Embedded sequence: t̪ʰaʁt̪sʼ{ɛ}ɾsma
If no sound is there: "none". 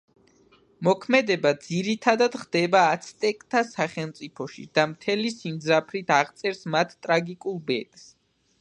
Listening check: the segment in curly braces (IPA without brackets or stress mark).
ɛ